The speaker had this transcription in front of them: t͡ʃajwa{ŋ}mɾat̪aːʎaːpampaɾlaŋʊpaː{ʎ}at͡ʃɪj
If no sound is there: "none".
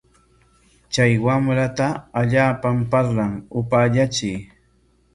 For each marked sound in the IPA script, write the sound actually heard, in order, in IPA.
none, ʎ

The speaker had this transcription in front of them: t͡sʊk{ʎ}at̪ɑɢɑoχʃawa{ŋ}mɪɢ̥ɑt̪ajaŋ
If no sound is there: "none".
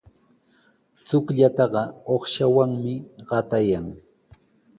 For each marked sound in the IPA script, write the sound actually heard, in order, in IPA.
ʎ, ŋ

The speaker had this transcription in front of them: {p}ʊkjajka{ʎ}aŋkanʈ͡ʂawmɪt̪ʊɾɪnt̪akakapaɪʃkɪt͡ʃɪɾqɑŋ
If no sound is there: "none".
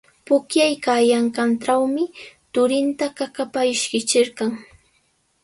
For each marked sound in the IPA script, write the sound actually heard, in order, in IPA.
p, j

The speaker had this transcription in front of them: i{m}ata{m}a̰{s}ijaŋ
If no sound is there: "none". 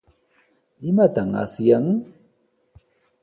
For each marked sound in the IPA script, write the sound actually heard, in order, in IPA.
m, ŋ, s

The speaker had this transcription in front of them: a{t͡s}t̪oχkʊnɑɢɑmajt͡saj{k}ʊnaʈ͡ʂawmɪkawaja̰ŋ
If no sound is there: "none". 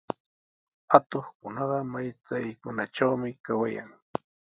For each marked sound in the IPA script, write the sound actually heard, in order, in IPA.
none, k

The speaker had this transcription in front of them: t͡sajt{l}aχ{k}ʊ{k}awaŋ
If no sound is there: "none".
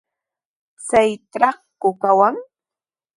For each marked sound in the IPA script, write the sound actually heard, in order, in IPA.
ɾ, k, k

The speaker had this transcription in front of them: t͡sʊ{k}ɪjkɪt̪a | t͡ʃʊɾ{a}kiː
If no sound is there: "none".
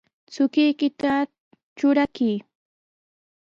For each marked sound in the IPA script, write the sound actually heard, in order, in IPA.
k, a

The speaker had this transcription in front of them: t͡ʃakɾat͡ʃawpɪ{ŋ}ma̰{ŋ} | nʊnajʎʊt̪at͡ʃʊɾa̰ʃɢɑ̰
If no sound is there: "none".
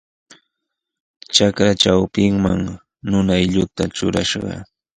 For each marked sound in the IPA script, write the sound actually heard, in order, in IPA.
ŋ, ŋ

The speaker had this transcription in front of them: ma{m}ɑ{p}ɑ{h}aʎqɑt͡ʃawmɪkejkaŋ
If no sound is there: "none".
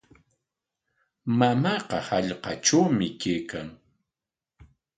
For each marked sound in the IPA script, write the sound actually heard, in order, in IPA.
m, q, h

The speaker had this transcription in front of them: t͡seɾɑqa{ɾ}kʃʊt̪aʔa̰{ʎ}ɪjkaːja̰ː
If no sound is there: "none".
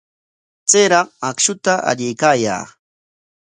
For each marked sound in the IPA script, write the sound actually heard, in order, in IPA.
none, ʎ

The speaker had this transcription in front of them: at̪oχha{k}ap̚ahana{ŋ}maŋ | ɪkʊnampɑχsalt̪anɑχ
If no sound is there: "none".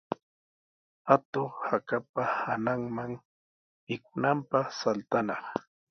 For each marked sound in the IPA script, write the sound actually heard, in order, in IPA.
k, ŋ

